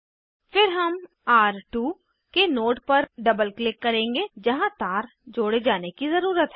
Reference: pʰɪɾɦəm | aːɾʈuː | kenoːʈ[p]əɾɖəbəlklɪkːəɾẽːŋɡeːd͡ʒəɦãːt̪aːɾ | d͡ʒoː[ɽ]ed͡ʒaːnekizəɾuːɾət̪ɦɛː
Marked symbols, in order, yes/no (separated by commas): yes, yes